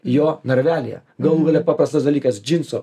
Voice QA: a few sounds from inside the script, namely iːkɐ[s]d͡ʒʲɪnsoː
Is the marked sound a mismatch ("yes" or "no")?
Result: no